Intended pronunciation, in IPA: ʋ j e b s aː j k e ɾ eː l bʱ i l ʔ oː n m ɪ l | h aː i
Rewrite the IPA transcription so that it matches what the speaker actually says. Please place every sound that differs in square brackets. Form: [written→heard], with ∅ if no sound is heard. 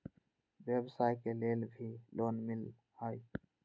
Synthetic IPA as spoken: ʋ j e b s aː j k e [ɾ→l] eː l bʱ i l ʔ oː n m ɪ l | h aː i

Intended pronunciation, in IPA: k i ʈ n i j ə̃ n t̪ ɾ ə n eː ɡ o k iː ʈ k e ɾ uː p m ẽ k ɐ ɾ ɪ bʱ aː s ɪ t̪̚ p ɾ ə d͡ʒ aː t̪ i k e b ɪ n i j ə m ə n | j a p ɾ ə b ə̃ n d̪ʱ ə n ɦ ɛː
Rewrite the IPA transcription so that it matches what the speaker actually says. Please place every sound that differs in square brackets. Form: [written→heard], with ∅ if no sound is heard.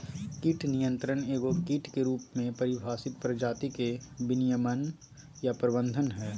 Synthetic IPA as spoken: k i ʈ n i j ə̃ n t̪ ɾ ə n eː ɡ o k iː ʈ k e ɾ uː p m ẽ [k→p] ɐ ɾ ɪ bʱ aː s ɪ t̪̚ p ɾ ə d͡ʒ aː t̪ i k e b ɪ n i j ə m ə n | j a p ɾ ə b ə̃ n d̪ʱ ə n ɦ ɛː

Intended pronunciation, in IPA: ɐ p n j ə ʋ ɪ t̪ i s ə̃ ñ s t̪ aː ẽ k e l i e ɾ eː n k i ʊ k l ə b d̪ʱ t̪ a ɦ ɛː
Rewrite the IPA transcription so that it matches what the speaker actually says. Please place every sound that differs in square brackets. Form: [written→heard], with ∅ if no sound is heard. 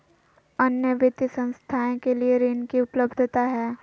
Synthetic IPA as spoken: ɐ [p→∅] n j ə ʋ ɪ t̪ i s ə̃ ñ s [t̪→t̪ʰ] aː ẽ k e l i e ɾ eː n k i ʊ [k→p] l ə b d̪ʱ t̪ a ɦ ɛː

